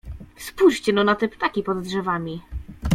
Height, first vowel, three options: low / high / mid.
high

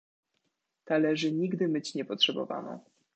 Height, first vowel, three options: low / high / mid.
low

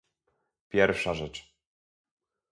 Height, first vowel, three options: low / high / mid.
mid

